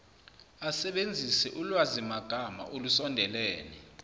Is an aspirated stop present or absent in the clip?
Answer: absent